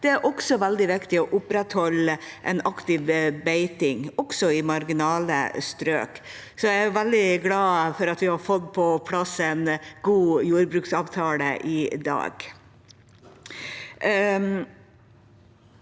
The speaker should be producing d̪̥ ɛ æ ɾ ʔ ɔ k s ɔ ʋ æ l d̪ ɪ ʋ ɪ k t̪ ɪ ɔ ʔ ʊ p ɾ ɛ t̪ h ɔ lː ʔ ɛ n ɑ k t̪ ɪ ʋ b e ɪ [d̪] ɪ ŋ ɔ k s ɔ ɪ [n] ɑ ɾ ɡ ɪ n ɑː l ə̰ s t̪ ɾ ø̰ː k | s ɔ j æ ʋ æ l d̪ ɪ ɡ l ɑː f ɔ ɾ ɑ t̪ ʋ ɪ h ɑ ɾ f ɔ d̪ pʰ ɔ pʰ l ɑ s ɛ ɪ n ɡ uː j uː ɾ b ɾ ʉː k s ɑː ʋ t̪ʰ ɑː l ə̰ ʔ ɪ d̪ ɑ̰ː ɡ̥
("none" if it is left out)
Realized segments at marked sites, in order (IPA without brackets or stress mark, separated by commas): t̪, m